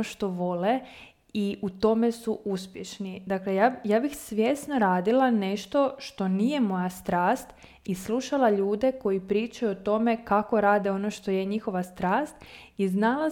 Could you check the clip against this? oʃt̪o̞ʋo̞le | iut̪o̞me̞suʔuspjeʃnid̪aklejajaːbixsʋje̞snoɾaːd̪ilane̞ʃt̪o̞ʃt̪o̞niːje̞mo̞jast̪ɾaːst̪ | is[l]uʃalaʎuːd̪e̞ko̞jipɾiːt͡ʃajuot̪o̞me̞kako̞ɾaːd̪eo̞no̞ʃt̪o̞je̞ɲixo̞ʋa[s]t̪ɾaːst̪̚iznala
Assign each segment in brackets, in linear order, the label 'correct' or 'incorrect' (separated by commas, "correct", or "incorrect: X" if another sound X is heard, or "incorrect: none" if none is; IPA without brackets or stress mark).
correct, correct